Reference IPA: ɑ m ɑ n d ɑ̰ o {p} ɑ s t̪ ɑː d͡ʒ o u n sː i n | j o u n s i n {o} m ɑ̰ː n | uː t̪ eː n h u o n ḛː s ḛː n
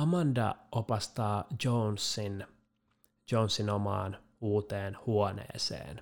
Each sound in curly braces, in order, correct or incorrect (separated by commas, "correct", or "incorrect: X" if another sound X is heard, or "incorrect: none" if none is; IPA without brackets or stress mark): correct, correct